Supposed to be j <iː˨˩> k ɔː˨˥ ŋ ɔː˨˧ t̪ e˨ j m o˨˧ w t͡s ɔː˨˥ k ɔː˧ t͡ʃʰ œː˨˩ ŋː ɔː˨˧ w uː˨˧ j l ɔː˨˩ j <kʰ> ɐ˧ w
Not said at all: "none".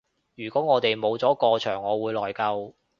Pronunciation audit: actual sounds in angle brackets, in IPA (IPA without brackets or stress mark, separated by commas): yː˨˩, k